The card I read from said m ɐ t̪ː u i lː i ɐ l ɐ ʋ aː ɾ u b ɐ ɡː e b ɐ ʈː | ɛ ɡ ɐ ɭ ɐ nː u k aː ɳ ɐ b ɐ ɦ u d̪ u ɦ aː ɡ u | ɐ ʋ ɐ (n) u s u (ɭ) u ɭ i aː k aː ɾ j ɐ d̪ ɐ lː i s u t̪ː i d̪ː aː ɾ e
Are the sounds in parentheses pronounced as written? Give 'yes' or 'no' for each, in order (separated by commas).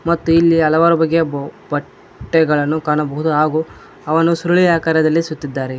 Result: yes, no